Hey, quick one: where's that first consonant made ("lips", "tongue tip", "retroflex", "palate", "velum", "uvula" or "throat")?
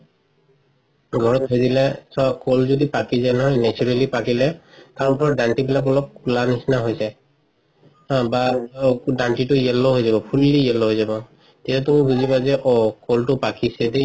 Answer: velum